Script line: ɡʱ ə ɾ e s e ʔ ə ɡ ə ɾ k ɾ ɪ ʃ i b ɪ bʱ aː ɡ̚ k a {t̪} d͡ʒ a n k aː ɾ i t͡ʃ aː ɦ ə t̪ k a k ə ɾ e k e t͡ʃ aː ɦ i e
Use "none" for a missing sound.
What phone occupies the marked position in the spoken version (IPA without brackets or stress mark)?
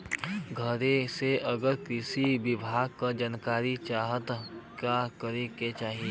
none